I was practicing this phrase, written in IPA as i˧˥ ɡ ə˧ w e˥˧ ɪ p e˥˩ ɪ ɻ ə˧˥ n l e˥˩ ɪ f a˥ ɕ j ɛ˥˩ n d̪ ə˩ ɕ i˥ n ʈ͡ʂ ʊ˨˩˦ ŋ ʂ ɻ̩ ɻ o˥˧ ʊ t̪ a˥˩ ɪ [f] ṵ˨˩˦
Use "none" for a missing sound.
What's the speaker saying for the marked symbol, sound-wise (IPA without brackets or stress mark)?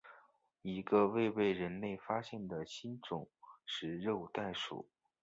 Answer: ʂ